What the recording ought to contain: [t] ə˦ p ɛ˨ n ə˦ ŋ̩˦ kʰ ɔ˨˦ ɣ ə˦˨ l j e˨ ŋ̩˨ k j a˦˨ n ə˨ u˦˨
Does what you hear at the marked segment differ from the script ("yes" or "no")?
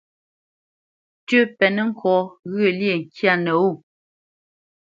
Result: no